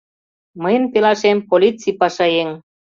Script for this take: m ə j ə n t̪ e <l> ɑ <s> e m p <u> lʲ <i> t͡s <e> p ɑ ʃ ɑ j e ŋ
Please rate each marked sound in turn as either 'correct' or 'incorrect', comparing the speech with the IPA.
correct, incorrect, incorrect, correct, incorrect

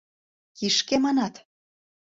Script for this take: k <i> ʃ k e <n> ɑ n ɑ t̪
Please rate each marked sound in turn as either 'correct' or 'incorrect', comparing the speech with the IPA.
correct, incorrect

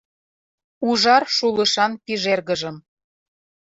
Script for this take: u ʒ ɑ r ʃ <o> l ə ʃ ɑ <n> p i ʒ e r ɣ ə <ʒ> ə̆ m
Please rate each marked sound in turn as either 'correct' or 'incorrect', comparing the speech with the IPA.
incorrect, correct, correct

